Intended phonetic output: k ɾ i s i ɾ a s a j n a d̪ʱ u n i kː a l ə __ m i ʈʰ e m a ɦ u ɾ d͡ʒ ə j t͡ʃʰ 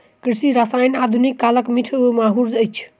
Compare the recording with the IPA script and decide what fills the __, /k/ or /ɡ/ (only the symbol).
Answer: k